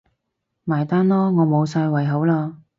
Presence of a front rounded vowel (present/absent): absent